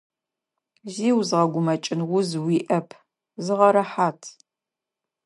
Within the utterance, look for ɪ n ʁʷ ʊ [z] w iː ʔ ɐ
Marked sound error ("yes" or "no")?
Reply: no